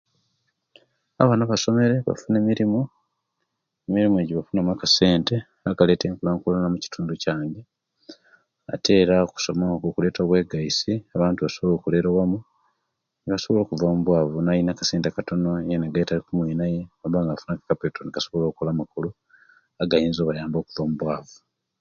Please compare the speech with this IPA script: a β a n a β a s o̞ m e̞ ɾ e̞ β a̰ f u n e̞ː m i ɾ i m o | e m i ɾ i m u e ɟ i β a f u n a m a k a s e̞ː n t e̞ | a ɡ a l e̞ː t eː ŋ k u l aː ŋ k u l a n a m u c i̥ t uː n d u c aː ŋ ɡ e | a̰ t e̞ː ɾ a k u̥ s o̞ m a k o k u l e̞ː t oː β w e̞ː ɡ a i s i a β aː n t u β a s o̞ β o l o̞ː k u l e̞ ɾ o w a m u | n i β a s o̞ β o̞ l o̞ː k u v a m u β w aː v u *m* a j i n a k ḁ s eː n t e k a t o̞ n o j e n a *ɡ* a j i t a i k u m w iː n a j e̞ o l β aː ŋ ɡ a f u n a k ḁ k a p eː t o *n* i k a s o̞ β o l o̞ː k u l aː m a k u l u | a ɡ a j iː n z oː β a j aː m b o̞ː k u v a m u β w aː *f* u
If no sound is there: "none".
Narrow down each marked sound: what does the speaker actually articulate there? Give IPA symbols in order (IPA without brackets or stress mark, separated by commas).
n, ɡ, n, v